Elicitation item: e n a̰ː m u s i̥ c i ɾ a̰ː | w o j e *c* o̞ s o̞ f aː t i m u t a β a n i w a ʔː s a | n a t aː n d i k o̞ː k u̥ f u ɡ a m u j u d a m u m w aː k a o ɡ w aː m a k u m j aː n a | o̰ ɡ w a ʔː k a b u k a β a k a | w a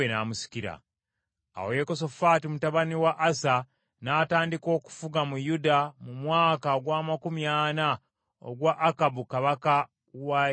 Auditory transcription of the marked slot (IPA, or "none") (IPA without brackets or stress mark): k